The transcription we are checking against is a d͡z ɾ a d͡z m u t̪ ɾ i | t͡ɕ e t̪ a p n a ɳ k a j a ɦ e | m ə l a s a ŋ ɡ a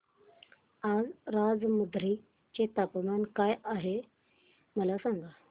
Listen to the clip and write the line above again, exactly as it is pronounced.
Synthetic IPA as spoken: a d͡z ɾ a d͡z m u d̪ ɾ i | t͡ɕ e t̪ a p m a n k a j a ɦ e | m ə l a s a ŋ ɡ a